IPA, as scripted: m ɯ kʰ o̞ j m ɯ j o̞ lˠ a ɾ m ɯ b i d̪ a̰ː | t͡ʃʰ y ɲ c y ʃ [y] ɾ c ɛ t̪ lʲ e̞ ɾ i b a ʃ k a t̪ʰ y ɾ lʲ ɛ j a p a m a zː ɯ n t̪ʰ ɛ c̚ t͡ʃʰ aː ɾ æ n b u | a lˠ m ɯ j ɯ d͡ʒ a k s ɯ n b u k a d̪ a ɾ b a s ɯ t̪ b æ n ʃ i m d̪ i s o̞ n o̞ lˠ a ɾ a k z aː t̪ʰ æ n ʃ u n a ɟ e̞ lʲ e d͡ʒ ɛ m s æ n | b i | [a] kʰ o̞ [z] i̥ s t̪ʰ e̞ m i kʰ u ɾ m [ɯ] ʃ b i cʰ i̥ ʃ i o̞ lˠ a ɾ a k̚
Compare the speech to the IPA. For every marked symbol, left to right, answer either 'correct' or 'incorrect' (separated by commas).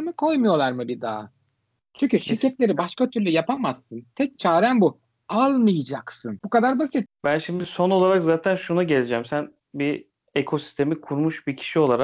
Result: incorrect, incorrect, incorrect, incorrect